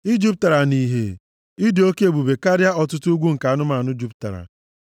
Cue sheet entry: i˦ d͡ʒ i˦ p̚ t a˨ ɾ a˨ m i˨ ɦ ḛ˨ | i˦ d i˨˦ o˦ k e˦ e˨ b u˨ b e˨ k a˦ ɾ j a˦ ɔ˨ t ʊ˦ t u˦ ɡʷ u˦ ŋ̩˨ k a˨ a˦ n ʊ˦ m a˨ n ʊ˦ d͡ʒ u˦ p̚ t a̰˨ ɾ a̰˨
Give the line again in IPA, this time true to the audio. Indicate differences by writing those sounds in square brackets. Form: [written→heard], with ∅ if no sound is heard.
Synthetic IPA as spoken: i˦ d͡ʒ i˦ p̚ t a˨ ɾ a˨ [m→n] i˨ ɦ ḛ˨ | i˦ d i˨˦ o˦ k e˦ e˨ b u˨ b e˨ k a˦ ɾ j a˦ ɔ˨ t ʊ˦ t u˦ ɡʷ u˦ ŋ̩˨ k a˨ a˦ n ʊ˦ m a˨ n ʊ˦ d͡ʒ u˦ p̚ t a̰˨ ɾ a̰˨